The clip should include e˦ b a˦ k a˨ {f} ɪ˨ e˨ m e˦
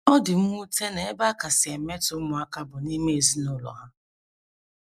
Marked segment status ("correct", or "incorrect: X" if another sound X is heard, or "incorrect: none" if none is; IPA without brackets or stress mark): incorrect: s